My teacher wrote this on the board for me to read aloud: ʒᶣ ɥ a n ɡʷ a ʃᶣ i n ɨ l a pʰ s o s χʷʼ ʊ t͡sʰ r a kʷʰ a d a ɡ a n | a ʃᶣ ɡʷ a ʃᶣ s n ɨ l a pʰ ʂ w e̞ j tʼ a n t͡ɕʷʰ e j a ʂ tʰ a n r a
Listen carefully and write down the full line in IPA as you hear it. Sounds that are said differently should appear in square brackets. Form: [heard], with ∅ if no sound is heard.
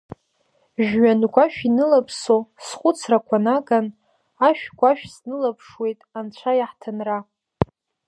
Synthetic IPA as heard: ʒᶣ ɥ a n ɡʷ a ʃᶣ i n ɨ l a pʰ s o s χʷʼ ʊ t͡sʰ r a kʷʰ a [n] a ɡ a n | a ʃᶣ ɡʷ a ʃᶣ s n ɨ l a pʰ ʂ w e̞ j tʼ a n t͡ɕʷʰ [a] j a [ħ] tʰ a n r a

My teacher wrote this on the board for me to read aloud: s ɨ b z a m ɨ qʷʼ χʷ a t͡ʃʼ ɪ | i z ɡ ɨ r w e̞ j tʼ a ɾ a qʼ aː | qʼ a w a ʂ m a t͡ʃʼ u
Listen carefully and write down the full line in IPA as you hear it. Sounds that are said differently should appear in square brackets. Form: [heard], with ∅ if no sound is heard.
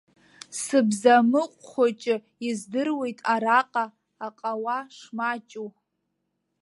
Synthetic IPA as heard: s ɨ b z a m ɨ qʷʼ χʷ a t͡ʃʼ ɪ | i z [d] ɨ r w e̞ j tʼ a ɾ a qʼ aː | qʼ a w a ʂ m a t͡ʃʼ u

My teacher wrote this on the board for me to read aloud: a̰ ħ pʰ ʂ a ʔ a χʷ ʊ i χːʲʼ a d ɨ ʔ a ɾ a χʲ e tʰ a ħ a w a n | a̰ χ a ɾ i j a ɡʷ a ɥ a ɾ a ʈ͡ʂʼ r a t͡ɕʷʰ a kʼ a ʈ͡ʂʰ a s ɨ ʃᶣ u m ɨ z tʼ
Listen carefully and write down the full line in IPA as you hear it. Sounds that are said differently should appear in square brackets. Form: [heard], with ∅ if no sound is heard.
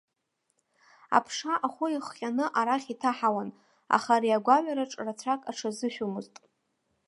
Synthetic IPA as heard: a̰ [∅] pʰ ʂ a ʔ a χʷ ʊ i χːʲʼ a [n] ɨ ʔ a ɾ a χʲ [i] tʰ a ħ a w a n | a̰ χ a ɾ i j a ɡʷ a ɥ a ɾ a ʈ͡ʂʼ r a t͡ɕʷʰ a kʼ a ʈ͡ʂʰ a [z] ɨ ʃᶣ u m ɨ z tʼ

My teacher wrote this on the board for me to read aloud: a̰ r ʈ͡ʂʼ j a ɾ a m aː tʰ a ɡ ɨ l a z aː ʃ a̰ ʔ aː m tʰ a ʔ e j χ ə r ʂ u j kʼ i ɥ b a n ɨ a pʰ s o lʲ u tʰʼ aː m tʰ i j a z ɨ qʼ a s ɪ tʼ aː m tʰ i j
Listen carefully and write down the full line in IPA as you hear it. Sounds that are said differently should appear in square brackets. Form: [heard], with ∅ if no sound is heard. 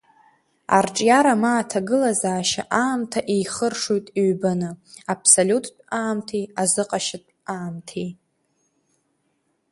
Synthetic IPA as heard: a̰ r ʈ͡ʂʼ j a ɾ a m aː tʰ a ɡ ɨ l a z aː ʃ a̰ ʔ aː m tʰ a ʔ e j χ ə r ʂ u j [tʼ] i ɥ b a n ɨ a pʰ s o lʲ u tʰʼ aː m tʰ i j a z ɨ qʼ a [ʃ] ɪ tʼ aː m tʰ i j

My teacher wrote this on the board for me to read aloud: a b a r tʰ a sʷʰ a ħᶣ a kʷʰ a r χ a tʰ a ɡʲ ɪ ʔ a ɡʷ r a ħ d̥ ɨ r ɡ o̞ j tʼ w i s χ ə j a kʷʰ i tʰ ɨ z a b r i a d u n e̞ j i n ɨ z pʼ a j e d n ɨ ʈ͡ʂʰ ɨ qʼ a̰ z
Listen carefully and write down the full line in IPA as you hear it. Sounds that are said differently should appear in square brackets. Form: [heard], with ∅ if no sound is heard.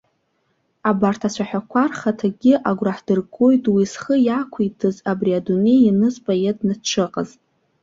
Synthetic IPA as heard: a b a r tʰ a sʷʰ a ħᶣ a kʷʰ a r χ a tʰ a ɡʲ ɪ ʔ a ɡʷ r a ħ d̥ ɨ r ɡ o̞ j tʼ w i s χ ə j a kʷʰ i tʰ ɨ z a b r i a d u n e̞ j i n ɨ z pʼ a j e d n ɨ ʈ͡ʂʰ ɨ qʼ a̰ z

